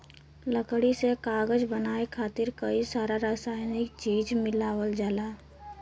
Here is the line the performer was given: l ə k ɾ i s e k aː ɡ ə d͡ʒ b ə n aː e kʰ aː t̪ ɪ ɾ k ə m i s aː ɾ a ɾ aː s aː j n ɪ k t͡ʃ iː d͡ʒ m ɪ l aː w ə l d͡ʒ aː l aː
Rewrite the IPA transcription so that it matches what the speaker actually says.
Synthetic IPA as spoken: l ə k ɽ i s e k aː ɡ ə d͡ʒ b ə n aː e kʰ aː t̪ ɪ ɾ k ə i s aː ɾ a ɾ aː s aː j n ɪ k t͡ʃ iː d͡ʒ m ɪ l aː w ə l d͡ʒ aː l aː